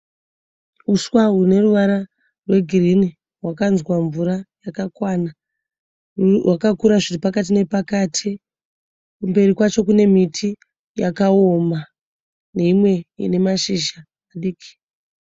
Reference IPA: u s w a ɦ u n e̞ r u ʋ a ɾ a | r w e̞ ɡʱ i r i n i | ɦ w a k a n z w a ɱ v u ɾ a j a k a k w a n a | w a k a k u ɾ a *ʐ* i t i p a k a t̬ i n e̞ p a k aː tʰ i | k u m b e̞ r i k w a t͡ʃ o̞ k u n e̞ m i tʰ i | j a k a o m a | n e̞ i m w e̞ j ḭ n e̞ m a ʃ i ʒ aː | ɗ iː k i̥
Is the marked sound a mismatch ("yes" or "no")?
no